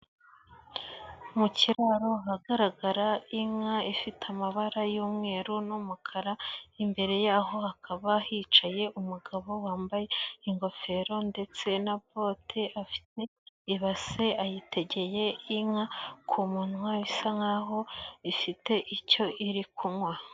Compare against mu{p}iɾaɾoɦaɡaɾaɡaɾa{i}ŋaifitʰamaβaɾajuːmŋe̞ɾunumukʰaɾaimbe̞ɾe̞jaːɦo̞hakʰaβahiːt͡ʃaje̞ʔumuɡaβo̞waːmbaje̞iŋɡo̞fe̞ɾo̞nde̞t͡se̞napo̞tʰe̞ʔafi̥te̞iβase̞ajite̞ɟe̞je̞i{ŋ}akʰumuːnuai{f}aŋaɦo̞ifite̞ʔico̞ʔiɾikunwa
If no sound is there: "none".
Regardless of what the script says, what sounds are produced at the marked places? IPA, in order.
c, i, ŋ, s

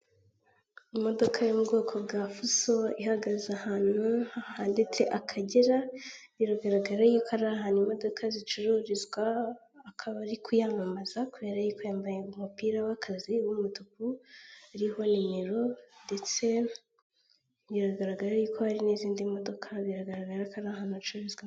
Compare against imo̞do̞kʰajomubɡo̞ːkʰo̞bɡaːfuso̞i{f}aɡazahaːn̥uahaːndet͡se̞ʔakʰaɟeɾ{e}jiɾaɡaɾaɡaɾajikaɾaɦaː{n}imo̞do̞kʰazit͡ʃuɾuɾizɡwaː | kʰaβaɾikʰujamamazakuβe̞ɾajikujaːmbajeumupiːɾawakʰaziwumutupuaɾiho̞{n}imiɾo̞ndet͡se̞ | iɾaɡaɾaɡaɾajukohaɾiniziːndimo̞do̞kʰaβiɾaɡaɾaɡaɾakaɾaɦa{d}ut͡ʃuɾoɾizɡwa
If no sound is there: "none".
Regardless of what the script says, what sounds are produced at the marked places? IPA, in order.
h, a, n, n, n

